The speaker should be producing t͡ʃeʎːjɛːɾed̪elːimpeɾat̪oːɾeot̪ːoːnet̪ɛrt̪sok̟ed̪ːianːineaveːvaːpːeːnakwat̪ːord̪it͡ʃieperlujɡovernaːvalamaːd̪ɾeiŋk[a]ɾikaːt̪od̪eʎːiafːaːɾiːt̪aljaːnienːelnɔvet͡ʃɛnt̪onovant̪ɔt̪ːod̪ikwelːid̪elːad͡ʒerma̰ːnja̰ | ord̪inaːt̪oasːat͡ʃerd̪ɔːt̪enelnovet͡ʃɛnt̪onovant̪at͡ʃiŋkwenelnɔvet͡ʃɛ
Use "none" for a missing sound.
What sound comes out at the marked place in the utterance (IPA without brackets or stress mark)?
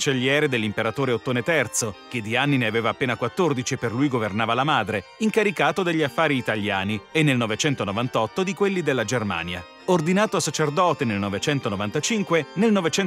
a